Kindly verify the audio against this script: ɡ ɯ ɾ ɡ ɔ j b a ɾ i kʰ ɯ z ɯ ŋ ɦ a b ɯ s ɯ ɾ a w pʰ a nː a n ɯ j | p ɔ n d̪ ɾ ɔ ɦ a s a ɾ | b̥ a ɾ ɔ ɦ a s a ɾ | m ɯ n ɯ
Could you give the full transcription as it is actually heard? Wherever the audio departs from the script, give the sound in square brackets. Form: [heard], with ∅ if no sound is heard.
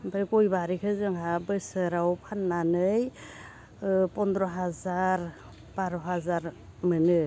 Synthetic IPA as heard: [b] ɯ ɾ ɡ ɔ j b a ɾ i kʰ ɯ z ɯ ŋ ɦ a b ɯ s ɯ ɾ a w pʰ a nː a n ɯ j | p ɔ n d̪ ɾ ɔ ɦ a [z] a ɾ | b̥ a ɾ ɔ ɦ a [z] a ɾ | m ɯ n ɯ